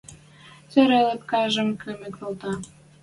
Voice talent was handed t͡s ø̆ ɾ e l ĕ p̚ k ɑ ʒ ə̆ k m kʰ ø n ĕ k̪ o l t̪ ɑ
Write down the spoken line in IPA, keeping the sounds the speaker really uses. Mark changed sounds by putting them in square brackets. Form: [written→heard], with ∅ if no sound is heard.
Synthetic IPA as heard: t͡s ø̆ ɾ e l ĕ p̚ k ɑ ʒ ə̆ [k→∅] m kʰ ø [n→m] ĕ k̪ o l t̪ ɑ